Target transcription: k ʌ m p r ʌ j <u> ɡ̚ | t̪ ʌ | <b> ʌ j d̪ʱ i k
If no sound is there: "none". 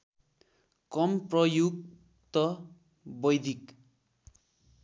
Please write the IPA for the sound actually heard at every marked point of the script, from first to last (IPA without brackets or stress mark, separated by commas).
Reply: u, b